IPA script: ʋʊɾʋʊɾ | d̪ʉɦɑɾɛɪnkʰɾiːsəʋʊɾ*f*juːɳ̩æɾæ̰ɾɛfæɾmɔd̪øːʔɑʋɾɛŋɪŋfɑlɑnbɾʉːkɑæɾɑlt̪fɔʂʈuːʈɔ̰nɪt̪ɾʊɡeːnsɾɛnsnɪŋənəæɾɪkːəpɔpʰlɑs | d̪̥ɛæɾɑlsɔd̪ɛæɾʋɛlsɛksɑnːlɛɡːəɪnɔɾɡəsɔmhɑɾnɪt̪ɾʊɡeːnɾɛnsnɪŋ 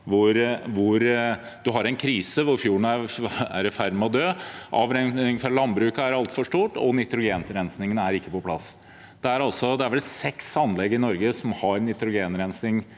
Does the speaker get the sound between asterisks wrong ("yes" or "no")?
no